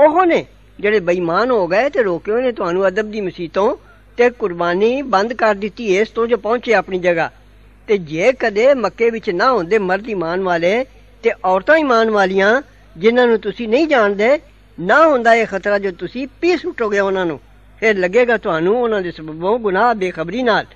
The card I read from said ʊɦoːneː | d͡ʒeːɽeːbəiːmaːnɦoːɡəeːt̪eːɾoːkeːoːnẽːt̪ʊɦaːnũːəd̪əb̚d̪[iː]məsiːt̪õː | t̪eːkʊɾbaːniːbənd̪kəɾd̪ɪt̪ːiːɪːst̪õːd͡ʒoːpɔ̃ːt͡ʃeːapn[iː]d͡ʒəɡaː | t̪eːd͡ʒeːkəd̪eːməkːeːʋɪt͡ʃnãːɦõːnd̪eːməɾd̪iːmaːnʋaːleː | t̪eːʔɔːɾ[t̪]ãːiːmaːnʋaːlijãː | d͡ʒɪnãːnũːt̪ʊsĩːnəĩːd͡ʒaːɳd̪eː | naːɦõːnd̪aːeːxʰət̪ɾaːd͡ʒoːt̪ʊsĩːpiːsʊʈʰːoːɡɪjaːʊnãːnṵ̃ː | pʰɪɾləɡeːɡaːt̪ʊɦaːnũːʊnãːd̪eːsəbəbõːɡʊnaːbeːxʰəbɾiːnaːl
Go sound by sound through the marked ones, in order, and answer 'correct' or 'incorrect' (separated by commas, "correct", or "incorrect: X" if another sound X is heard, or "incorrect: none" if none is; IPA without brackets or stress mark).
correct, correct, correct